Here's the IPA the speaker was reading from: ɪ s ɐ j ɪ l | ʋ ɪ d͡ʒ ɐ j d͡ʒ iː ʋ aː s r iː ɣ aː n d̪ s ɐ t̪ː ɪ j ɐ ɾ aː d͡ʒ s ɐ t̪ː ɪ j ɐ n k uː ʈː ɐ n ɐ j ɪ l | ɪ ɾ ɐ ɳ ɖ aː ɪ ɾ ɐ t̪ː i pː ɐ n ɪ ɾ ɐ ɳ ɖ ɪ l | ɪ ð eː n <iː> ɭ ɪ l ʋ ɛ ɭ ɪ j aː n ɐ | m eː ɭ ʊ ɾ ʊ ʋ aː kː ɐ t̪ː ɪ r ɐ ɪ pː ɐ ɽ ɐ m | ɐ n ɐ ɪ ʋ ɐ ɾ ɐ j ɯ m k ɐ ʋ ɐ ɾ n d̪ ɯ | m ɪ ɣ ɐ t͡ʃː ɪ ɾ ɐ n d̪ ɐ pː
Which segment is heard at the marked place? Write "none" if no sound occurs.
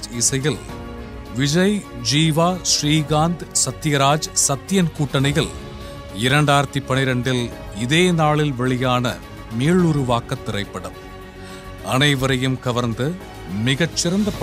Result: aː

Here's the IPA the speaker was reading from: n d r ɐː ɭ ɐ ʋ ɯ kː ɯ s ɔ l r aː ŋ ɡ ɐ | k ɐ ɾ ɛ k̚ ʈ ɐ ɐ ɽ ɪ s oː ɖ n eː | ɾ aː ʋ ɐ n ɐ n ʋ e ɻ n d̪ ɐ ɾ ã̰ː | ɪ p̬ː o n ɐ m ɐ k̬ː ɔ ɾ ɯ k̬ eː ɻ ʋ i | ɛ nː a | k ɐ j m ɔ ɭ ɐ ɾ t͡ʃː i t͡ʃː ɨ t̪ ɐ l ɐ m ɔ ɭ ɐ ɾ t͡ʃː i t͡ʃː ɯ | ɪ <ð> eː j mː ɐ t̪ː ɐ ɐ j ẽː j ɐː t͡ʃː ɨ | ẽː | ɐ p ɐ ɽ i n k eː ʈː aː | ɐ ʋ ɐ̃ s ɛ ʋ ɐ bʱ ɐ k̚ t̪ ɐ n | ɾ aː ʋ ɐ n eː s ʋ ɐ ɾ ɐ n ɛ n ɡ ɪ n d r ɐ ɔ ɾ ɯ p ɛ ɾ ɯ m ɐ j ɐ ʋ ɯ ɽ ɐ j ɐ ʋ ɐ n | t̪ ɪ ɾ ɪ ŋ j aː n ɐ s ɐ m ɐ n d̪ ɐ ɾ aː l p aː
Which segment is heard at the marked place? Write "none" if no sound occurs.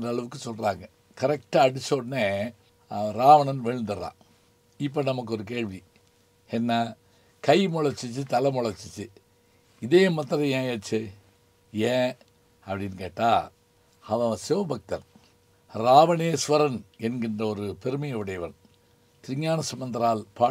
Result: ð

